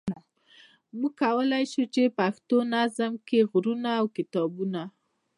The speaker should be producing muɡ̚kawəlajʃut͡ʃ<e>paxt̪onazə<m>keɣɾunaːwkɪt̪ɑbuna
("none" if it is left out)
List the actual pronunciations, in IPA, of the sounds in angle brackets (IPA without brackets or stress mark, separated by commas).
e, m